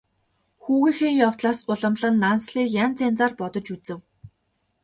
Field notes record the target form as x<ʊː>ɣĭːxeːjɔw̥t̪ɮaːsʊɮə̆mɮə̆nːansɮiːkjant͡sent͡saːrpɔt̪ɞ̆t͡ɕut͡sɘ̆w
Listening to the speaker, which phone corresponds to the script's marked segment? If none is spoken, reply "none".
uː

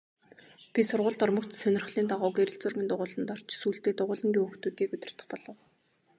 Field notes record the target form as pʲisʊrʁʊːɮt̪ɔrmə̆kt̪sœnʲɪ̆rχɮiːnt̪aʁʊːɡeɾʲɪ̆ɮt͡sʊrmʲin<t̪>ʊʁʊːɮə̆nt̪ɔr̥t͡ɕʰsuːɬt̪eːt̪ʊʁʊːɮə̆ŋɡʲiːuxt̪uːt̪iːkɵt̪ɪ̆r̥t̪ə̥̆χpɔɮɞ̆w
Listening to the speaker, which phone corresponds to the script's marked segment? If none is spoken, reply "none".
t̪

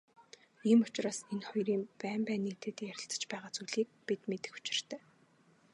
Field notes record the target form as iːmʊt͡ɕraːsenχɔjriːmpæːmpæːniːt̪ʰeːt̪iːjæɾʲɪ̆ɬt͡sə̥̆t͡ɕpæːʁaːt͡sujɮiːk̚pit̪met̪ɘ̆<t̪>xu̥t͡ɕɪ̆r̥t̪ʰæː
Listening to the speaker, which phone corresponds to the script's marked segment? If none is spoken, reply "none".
none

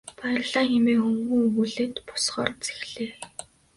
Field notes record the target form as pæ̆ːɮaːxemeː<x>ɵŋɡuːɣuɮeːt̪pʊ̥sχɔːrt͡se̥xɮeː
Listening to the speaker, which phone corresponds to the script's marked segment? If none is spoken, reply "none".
x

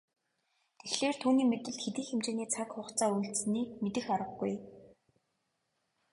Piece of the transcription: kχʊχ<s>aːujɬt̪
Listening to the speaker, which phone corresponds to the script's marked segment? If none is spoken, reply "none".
t͡s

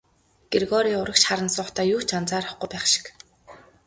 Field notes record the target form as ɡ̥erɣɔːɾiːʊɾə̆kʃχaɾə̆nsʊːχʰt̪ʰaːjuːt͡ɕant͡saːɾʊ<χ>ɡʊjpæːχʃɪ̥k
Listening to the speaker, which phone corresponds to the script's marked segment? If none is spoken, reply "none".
χ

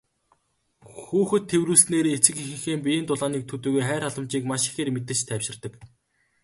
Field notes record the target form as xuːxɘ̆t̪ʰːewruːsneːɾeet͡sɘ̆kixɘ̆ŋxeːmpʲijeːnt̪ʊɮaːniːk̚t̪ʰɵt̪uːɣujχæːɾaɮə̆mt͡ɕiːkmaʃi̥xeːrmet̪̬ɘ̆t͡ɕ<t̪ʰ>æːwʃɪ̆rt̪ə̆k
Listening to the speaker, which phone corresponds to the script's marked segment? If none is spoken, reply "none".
t̪ʰ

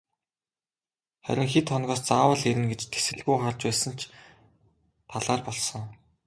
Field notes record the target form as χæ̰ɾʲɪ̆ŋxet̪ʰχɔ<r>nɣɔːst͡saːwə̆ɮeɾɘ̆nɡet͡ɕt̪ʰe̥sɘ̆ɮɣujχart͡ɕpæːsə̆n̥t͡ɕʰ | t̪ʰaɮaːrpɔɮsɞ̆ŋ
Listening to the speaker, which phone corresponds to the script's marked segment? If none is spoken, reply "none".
none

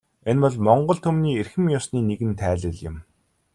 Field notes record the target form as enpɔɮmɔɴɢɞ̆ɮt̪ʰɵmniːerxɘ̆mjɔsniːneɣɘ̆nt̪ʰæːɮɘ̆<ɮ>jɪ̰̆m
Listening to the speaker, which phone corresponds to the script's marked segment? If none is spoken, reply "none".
ɮ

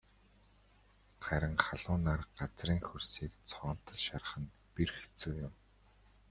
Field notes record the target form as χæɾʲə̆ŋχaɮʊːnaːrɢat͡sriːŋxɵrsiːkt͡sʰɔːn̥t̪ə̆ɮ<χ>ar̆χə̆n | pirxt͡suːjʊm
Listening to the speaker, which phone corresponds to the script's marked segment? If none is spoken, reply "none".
ʃ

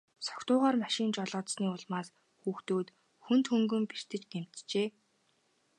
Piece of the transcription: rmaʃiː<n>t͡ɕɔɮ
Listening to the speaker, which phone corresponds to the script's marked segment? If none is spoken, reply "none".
n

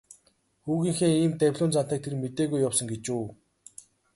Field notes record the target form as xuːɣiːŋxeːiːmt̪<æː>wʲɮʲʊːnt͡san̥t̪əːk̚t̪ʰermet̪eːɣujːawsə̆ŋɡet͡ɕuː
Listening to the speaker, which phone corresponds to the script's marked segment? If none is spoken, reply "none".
æ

